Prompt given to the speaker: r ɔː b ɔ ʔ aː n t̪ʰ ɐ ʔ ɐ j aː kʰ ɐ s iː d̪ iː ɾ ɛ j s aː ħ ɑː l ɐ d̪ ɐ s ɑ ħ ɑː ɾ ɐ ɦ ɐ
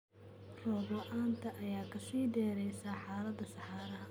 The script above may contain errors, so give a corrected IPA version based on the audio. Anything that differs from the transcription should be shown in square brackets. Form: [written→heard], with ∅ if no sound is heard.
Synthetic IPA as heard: r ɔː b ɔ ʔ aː n t̪ʰ ɐ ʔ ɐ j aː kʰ ɐ s iː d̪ [iː→ɛː] ɾ ɛ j s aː ħ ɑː l ɐ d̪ ɐ s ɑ ħ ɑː ɾ ɐ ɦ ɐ